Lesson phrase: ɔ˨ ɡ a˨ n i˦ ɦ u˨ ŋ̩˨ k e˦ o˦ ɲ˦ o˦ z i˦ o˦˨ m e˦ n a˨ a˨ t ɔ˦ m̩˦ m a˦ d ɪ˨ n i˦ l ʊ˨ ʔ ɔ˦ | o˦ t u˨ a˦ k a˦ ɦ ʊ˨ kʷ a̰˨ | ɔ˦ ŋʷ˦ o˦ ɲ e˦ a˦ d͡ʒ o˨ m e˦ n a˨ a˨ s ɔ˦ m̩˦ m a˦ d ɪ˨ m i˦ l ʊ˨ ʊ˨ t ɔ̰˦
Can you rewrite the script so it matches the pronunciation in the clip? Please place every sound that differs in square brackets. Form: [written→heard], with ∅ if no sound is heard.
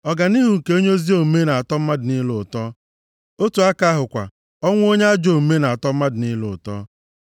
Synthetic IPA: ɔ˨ ɡ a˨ n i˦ ɦ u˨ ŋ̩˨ k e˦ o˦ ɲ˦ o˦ z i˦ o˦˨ m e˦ n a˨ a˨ t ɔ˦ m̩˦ m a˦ d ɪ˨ n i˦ l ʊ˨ [ʔ→t] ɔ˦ | o˦ t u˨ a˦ k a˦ ɦ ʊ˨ kʷ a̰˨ | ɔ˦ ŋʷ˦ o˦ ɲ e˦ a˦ d͡ʒ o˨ m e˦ n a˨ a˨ [s→t] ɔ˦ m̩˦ m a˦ d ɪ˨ [m→n] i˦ l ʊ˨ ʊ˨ t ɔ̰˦